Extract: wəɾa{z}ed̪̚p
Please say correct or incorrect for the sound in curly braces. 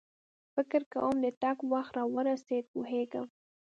incorrect: s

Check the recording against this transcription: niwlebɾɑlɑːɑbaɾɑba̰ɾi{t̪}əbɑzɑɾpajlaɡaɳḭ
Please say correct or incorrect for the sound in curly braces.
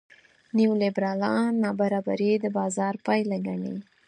incorrect: d̪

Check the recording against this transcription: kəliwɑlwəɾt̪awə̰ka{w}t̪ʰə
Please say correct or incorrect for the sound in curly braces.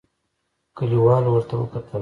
incorrect: none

